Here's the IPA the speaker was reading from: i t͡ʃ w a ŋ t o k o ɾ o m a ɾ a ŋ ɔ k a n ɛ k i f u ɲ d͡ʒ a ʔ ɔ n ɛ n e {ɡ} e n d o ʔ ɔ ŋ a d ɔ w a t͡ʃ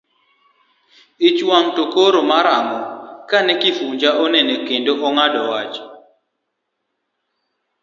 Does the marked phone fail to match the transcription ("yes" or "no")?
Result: yes